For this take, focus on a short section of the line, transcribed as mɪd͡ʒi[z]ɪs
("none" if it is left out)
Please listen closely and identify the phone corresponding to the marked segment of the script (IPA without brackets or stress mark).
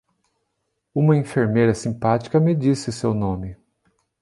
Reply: s